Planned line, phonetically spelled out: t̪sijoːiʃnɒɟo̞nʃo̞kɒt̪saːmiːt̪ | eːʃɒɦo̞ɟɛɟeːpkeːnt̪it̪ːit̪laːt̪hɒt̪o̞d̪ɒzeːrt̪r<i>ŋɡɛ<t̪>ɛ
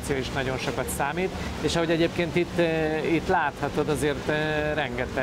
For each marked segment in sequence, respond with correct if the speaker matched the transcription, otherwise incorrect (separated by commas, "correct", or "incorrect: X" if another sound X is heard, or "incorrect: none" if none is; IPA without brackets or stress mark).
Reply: incorrect: ɛ, correct